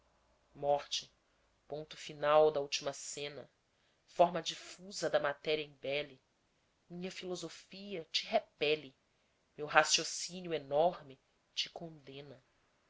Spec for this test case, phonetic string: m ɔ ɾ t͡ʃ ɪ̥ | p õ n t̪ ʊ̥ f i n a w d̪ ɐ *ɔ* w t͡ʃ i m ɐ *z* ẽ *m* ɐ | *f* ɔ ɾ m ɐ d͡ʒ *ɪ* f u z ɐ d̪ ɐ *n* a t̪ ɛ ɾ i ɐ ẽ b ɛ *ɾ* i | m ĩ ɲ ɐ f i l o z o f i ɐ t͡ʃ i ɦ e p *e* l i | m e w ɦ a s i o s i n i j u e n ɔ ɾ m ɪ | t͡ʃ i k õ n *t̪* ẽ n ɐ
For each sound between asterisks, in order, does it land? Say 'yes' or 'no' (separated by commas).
no, no, no, yes, no, no, no, no, no